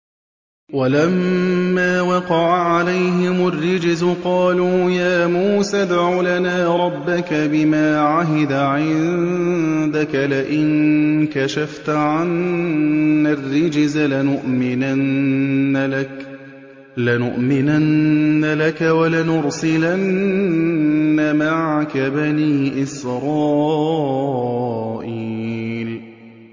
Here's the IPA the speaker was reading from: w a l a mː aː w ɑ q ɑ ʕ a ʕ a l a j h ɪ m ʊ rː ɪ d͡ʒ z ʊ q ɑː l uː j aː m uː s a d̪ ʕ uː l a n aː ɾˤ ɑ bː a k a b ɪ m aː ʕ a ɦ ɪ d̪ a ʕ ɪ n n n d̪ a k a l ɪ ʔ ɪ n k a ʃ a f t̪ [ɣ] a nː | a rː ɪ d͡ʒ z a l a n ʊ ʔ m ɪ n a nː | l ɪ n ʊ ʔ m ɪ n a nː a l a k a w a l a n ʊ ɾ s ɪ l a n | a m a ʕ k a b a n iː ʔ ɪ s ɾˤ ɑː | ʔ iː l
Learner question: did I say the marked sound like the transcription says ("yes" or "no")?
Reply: no